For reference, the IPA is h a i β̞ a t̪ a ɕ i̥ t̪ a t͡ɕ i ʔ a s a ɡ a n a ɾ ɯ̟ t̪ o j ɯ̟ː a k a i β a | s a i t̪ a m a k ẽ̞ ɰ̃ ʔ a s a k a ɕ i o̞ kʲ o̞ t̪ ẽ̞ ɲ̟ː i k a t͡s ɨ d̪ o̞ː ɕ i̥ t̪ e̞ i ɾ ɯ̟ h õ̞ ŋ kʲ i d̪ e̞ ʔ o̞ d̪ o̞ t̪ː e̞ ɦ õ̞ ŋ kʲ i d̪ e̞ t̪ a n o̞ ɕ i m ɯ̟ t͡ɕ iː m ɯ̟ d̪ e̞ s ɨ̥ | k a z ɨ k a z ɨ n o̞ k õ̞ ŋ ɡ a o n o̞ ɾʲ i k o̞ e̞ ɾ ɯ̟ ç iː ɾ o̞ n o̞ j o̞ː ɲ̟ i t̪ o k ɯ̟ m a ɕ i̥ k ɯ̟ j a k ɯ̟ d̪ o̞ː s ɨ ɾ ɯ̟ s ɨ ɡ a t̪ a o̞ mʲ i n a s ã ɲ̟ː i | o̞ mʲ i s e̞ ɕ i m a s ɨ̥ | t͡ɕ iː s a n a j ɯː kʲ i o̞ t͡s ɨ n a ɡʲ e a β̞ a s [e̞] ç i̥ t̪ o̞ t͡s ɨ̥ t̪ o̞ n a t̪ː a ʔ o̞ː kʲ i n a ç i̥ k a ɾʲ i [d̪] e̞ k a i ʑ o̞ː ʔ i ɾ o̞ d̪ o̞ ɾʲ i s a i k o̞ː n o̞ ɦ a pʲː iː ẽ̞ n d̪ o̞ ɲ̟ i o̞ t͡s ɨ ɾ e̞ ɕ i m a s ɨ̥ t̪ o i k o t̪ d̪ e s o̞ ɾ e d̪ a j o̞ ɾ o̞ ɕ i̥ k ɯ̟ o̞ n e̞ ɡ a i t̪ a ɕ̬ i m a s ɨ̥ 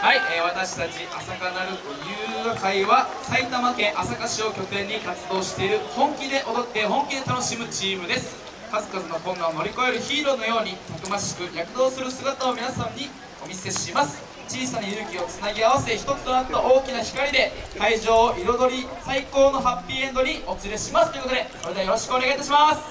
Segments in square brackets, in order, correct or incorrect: correct, correct

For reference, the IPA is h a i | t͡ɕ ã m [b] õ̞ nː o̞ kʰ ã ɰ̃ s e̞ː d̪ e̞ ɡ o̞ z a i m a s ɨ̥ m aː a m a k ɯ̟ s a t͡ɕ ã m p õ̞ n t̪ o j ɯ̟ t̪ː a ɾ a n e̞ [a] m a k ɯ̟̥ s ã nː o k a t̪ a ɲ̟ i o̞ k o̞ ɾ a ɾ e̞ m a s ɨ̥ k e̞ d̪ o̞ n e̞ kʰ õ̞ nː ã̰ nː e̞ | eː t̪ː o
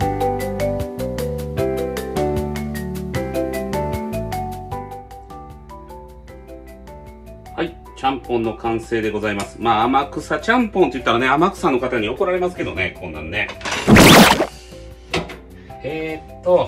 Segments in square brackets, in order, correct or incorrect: incorrect: p, correct

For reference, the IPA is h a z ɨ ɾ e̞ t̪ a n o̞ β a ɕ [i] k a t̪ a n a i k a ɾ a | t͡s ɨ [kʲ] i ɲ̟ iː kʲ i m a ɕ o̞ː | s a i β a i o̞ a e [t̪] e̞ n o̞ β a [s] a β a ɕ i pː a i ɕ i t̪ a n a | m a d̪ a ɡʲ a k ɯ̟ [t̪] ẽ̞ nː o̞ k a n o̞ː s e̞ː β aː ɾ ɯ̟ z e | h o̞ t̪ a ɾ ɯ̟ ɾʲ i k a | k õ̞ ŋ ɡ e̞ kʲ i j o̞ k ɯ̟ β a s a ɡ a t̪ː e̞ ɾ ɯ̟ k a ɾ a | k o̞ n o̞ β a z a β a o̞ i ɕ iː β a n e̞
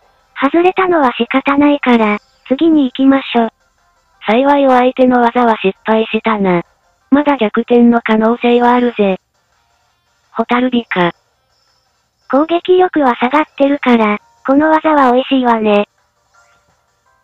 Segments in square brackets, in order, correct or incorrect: correct, incorrect: ɡʲ, correct, incorrect: z, correct

